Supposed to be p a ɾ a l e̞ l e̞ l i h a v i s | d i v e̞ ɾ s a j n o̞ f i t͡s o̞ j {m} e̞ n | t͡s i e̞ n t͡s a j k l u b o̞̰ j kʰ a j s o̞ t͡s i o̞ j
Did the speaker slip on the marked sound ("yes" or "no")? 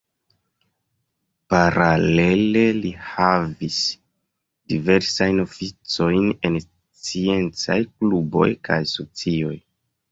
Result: yes